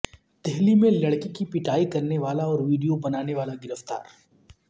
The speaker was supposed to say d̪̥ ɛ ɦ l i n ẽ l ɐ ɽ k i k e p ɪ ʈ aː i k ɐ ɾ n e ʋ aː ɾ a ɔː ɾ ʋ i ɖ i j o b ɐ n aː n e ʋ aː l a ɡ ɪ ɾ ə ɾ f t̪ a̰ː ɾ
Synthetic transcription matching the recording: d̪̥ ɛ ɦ l i m ẽ l ɐ ɽ k i k i p ɪ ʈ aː i k ɐ ɾ n e ʋ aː l a ɔː ɾ ʋ iː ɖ i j o b ɐ n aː n e ʋ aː l a ɡ ɪ ɾ ə f t̪ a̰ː ɾ